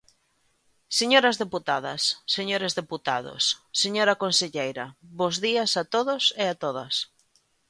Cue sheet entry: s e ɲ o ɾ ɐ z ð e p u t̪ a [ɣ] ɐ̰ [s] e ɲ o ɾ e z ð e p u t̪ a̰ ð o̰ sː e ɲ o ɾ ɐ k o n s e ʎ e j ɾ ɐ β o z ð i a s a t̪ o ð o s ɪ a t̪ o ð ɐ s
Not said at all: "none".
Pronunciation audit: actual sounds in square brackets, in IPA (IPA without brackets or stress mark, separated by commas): ð, sː